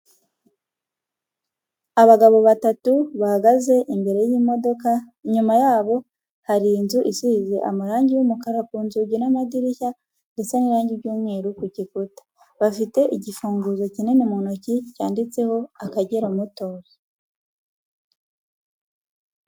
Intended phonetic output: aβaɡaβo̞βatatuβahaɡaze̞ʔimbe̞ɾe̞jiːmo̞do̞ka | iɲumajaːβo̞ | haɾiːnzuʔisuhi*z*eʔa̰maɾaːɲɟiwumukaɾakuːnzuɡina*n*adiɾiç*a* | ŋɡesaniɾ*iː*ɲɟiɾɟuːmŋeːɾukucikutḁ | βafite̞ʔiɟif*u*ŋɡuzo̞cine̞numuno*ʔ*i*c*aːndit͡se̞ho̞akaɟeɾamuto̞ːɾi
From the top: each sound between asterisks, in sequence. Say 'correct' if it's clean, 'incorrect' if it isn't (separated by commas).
correct, incorrect, correct, incorrect, incorrect, incorrect, correct